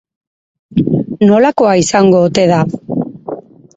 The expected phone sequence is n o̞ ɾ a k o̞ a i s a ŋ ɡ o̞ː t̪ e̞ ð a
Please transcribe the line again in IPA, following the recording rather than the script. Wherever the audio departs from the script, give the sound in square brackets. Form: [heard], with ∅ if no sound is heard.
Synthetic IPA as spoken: n o̞ [l] a k o̞ a i s a ŋ ɡ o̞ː t̪ e̞ ð a